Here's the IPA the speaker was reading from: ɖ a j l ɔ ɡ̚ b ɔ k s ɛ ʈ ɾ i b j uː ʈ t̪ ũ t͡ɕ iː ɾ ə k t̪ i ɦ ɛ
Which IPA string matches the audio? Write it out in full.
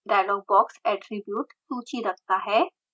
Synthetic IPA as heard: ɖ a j l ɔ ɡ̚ b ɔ k s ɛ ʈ ɾ i b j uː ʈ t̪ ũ t͡ɕ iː ɾ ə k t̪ a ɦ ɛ